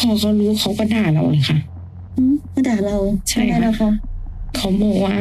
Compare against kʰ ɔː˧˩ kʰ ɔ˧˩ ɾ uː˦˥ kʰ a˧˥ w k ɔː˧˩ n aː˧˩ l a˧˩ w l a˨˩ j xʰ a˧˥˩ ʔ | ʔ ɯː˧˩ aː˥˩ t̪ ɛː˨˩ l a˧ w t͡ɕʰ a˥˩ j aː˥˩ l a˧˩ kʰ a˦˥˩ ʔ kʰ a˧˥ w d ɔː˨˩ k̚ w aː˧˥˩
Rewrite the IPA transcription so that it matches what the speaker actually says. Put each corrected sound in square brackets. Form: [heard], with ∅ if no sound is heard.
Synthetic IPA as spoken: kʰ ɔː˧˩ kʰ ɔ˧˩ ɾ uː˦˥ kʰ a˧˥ w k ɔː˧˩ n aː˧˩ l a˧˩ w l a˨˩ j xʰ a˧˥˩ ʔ | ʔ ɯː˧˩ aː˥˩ t̪ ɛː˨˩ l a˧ w t͡ɕʰ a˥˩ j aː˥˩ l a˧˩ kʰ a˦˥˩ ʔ kʰ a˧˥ w [b] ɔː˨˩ k̚ w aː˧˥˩